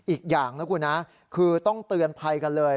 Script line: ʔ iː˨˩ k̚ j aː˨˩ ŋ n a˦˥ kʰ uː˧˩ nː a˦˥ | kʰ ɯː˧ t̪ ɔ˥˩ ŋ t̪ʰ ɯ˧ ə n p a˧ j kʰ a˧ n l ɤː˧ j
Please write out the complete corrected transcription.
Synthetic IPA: ʔ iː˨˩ k̚ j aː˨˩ ŋ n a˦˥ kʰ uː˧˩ n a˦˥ | kʰ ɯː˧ t̪ ɔ˥˩ ŋ t̪ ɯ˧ ə n pʰ a˧ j k a˧ n l ɤː˧ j